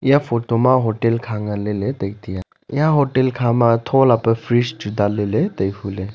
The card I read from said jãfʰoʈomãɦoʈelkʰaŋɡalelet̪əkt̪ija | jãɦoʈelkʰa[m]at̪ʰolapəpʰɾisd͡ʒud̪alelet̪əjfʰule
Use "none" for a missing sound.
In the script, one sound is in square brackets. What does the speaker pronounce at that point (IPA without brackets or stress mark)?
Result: m